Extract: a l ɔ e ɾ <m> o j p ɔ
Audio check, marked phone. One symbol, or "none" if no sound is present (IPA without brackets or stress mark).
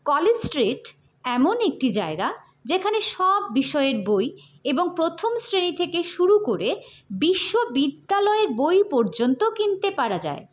b